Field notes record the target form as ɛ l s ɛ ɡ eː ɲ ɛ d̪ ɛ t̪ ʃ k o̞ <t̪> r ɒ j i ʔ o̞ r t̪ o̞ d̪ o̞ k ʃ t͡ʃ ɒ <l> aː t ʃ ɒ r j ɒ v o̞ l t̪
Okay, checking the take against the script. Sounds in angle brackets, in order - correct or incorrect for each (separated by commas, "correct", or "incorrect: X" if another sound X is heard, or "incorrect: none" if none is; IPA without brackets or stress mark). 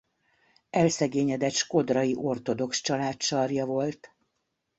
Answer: incorrect: d̪, correct